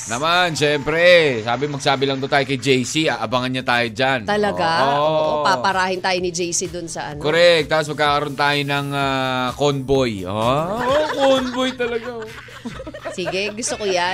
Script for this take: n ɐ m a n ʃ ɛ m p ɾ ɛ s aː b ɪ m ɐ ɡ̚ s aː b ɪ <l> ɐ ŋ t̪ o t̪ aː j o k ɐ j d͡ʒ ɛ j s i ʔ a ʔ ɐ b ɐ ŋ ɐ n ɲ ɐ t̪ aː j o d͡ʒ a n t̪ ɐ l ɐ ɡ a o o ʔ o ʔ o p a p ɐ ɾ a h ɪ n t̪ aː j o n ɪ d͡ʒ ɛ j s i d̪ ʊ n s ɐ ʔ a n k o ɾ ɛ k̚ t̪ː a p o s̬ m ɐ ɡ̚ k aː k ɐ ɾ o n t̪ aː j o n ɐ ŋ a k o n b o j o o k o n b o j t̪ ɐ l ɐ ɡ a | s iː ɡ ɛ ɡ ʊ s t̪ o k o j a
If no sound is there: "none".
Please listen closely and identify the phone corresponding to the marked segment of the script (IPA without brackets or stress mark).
l